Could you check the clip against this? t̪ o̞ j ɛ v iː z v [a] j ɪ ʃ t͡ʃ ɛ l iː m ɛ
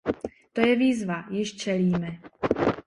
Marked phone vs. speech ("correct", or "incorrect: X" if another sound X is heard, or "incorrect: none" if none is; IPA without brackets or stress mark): correct